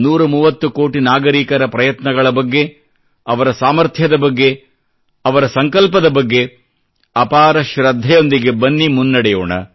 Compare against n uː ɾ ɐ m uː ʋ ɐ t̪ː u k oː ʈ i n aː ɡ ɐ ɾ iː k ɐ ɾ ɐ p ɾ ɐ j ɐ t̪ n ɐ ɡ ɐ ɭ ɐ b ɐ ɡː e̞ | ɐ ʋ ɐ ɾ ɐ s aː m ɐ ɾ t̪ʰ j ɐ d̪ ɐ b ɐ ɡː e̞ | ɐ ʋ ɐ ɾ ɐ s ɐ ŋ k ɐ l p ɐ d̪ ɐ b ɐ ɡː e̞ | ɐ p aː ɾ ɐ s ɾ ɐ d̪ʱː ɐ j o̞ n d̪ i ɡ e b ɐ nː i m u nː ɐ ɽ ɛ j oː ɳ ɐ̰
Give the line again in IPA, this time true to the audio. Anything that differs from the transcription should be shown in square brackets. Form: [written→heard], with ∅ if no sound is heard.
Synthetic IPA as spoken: n uː ɾ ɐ m uː ʋ ɐ t̪ː u k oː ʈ i n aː ɡ ɐ ɾ iː k ɐ ɾ ɐ p ɾ ɐ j ɐ t̪ n ɐ ɡ ɐ ɭ ɐ b ɐ ɡː e̞ | ɐ ʋ ɐ ɾ ɐ s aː m ɐ ɾ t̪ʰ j ɐ d̪ ɐ b ɐ ɡː e̞ | ɐ ʋ ɐ ɾ ɐ s ɐ ŋ k ɐ l p ɐ d̪ ɐ b ɐ ɡː e̞ | ɐ p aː ɾ ɐ [s→ʃ] ɾ ɐ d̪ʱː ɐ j o̞ n d̪ i ɡ e b ɐ nː i m u nː ɐ ɽ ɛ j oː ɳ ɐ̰

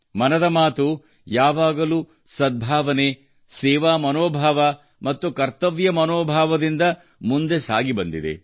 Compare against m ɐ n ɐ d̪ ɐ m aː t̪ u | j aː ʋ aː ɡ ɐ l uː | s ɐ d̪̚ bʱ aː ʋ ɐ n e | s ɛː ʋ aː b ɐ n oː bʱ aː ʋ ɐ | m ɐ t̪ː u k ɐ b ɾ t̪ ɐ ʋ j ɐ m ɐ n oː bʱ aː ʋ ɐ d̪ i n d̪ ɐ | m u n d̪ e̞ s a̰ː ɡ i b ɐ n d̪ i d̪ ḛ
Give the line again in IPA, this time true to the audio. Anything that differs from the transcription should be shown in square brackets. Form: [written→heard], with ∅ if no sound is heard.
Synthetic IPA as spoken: m ɐ n ɐ d̪ ɐ m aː t̪ u | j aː ʋ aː ɡ ɐ l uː | s ɐ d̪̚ bʱ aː ʋ ɐ n e | s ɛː ʋ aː [b→m] ɐ n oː bʱ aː ʋ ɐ | m ɐ t̪ː u k ɐ [b→∅] ɾ t̪ ɐ ʋ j ɐ m ɐ n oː bʱ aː ʋ ɐ d̪ i n d̪ ɐ | m u n d̪ e̞ s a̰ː ɡ i b ɐ n d̪ i d̪ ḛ

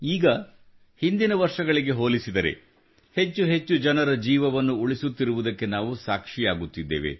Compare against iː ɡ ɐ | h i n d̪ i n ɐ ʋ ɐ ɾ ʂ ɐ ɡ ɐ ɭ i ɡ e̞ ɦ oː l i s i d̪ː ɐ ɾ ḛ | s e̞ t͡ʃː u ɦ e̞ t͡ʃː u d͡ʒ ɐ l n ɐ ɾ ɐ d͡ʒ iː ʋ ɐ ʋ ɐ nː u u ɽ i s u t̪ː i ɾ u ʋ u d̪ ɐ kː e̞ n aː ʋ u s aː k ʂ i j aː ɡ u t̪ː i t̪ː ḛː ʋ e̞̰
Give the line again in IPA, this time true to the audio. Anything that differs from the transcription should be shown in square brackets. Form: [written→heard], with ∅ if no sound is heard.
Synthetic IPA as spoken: iː ɡ ɐ | h i n d̪ i n ɐ ʋ ɐ ɾ ʂ ɐ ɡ ɐ ɭ i ɡ e̞ ɦ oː l i s i [d̪ː→d̪] ɐ ɾ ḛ | [s→h] e̞ t͡ʃː u ɦ e̞ t͡ʃː u d͡ʒ ɐ [l→∅] n ɐ ɾ ɐ d͡ʒ iː ʋ ɐ ʋ ɐ nː u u [ɽ→ɭ] i s u t̪ː i ɾ u ʋ u d̪ ɐ kː e̞ n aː ʋ u s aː k ʂ i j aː ɡ u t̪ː i [t̪ː→d̪ː] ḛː ʋ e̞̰

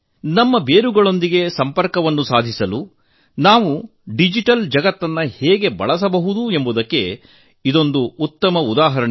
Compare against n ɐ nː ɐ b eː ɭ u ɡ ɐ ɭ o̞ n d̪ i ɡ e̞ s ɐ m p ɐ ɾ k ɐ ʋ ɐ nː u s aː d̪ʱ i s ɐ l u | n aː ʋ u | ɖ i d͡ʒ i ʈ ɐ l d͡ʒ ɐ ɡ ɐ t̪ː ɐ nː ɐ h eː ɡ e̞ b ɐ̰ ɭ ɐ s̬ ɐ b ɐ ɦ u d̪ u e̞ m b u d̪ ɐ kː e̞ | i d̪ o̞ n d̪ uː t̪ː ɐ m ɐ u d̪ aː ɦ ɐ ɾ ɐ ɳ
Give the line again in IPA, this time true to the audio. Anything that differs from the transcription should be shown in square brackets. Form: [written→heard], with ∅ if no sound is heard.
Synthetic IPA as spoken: n ɐ [nː→mː] ɐ b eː [ɭ→ɾ] u ɡ ɐ ɭ o̞ n d̪ i ɡ e̞ s ɐ m p ɐ ɾ k ɐ ʋ ɐ nː u s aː d̪ʱ i s ɐ l u | n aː ʋ u | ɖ i d͡ʒ i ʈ ɐ l d͡ʒ ɐ ɡ ɐ t̪ː ɐ nː ɐ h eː ɡ e̞ b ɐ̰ ɭ ɐ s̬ ɐ b ɐ ɦ u d̪ u e̞ m b u d̪ ɐ kː e̞ | i d̪ o̞ n d̪ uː t̪ː ɐ m ɐ u d̪ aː ɦ ɐ ɾ ɐ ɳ

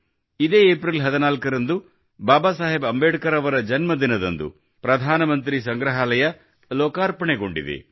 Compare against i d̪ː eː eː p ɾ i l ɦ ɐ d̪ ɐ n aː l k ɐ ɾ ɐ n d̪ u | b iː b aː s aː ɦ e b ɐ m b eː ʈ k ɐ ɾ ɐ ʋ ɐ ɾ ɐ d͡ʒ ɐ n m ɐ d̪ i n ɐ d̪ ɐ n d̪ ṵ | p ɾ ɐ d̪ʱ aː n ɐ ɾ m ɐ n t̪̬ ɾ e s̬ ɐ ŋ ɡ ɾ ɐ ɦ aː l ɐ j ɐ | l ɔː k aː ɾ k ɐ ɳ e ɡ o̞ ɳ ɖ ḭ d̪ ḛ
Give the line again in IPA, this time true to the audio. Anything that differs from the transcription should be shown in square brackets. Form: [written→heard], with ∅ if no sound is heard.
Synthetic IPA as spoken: i [d̪ː→d̪] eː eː p ɾ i l ɦ ɐ d̪ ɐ n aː l k ɐ ɾ ɐ n d̪ u | b [iː→aː] b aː s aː ɦ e b ɐ m b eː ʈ k ɐ ɾ ɐ ʋ ɐ ɾ ɐ d͡ʒ ɐ n m ɐ d̪ i n ɐ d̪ ɐ n d̪ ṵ | p ɾ ɐ d̪ʱ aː n ɐ [ɾ→∅] m ɐ n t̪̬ ɾ [e→i] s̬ ɐ ŋ ɡ ɾ ɐ ɦ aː l ɐ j ɐ | l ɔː k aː ɾ [k→p] ɐ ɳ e ɡ o̞ ɳ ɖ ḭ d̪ ḛ

